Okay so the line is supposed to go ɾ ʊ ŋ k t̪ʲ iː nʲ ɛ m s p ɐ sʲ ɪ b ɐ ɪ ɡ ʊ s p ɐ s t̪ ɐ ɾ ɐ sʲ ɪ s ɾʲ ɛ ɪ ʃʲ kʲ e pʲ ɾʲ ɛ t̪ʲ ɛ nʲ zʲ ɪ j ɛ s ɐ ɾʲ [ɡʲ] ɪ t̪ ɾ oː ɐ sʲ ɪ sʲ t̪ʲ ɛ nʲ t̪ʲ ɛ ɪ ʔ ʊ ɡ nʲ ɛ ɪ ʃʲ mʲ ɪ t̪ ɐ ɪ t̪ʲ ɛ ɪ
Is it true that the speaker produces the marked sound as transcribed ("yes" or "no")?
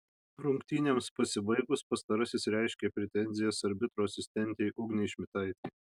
no